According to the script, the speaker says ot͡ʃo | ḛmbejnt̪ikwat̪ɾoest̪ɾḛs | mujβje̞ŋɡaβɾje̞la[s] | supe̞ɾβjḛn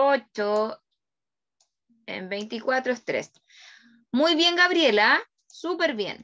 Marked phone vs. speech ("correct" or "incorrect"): incorrect